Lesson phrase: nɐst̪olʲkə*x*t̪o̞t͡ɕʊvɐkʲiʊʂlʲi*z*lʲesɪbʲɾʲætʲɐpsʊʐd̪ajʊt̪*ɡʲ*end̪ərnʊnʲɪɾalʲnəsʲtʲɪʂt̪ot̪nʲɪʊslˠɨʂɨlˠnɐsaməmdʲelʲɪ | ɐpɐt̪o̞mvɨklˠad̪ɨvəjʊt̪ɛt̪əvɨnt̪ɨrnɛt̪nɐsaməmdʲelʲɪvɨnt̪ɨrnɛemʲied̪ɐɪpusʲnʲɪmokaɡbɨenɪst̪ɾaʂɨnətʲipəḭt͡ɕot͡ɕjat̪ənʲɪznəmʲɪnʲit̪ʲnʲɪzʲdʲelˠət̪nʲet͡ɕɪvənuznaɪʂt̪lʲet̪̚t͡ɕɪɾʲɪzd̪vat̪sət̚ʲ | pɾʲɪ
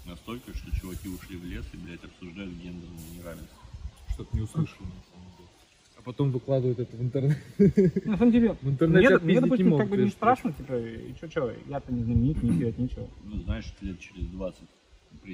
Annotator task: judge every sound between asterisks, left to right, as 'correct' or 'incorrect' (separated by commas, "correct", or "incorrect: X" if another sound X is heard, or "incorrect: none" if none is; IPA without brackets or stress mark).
incorrect: ʂ, incorrect: v, correct